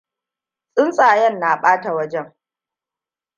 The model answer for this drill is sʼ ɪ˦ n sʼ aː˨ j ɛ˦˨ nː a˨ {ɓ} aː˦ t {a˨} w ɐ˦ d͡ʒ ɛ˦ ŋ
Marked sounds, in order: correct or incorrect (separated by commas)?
correct, correct